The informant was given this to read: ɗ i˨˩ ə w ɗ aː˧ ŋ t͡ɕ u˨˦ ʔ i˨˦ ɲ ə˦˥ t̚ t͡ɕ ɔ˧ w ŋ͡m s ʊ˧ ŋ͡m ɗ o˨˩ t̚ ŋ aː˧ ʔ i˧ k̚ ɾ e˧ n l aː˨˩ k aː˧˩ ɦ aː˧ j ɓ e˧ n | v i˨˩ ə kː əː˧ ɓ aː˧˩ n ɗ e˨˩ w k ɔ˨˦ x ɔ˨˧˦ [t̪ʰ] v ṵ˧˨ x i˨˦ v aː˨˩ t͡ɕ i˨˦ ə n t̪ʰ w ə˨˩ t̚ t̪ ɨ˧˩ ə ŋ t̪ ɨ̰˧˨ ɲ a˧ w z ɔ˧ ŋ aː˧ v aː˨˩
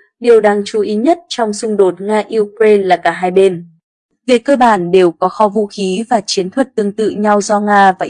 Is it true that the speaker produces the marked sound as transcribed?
no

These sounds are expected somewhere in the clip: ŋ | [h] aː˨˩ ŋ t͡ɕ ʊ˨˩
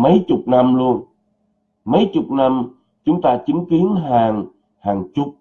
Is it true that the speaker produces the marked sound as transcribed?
yes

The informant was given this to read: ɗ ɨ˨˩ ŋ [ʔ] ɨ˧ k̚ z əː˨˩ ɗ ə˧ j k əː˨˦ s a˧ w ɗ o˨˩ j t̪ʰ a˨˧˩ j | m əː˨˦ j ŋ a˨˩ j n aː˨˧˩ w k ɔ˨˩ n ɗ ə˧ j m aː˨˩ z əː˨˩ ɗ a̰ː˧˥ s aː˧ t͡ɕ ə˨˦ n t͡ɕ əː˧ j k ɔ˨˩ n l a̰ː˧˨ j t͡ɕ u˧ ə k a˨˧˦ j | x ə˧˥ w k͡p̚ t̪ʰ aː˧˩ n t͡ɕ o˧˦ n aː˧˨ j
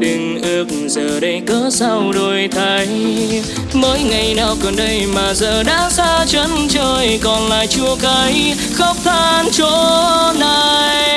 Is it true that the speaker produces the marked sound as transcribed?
yes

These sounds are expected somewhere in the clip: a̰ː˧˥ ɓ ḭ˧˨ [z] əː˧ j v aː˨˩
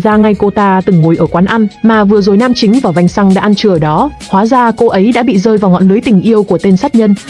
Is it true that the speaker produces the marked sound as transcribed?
yes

